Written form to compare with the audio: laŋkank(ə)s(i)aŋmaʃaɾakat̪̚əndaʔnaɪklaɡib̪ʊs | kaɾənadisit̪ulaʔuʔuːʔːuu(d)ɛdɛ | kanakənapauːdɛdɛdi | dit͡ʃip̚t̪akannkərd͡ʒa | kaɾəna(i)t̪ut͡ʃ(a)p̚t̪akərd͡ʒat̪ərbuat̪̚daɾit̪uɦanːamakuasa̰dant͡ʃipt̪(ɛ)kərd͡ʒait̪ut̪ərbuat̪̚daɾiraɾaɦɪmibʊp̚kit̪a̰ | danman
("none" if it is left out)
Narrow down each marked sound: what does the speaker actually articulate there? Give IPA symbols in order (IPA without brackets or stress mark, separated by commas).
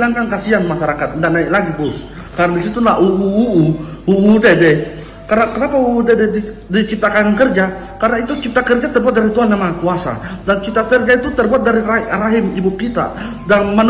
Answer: a, i, d, i, i, a